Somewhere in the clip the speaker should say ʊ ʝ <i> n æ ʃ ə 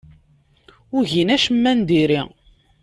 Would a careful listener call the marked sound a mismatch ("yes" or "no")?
no